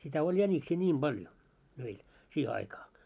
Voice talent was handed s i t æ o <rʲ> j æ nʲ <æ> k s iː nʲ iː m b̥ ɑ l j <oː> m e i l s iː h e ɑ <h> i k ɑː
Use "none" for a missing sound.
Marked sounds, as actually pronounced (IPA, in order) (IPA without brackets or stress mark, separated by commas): lʲ, i, o, none